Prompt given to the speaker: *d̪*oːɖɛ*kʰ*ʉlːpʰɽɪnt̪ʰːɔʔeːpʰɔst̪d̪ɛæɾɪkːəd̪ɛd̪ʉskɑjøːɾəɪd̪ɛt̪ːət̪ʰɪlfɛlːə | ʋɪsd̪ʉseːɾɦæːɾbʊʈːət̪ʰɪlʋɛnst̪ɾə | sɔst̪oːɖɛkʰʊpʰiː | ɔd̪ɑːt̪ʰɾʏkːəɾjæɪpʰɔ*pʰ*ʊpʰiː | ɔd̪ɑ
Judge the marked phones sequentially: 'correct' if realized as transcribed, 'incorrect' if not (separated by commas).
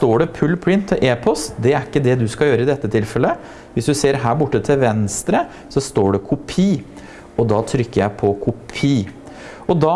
incorrect, incorrect, incorrect